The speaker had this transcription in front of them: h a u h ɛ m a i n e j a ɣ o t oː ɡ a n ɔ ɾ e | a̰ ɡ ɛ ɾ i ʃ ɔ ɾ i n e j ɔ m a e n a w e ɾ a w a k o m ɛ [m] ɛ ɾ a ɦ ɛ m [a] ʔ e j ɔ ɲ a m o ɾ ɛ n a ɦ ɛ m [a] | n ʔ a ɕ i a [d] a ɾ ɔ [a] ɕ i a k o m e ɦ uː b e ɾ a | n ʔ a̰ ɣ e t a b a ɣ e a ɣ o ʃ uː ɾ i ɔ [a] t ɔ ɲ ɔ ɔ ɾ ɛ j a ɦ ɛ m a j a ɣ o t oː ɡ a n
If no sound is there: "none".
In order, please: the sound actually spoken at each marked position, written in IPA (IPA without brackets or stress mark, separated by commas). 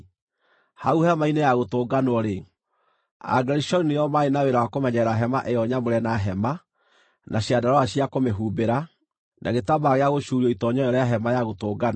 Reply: ɲ, a, a, d, a, i